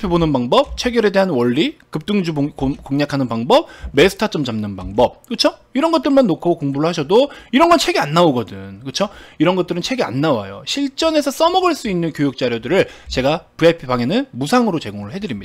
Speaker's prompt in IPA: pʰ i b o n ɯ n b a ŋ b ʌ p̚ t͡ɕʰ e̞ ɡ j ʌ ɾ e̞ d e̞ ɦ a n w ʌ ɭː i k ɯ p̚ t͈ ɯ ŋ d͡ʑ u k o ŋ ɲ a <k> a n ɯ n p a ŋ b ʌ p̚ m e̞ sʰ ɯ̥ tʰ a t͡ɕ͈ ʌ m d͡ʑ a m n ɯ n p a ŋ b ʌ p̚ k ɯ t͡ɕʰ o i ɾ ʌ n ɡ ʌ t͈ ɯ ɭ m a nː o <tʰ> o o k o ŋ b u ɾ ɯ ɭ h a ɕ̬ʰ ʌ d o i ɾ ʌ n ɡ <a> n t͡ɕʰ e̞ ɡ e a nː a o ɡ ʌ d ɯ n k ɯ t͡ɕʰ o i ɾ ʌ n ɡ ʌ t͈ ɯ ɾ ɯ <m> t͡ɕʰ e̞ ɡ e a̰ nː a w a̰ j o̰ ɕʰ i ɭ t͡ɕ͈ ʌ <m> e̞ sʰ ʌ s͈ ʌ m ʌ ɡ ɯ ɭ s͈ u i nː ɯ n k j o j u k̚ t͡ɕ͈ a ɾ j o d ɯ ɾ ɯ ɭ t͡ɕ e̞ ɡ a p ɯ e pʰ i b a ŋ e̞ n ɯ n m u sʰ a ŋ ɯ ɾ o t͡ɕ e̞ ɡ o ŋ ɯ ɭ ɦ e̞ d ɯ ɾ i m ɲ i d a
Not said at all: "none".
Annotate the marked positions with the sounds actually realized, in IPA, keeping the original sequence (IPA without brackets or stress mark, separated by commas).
kʰ, kʰ, ʌ, n, n